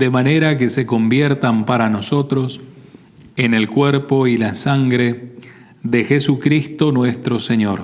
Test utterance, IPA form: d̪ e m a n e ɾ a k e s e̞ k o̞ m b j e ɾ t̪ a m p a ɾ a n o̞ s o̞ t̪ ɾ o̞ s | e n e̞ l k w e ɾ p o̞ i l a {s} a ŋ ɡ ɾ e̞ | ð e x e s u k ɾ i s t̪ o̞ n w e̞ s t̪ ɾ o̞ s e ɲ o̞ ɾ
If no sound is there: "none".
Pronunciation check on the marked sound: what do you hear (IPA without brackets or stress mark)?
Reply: s